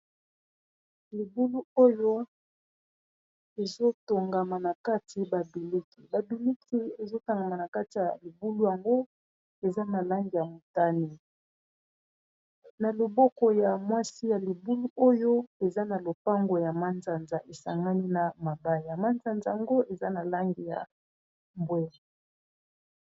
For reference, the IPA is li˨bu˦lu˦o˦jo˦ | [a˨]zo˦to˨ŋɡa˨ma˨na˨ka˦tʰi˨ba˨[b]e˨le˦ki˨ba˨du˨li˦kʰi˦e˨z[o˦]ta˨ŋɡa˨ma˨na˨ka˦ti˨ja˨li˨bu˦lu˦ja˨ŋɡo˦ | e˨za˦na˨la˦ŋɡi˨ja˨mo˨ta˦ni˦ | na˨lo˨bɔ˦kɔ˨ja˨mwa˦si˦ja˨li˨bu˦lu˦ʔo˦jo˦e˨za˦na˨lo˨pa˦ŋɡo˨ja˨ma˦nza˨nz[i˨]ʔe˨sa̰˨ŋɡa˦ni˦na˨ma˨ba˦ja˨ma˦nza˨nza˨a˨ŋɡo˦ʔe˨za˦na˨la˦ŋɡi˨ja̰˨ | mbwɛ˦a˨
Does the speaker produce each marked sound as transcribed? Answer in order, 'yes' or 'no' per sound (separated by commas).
no, yes, yes, no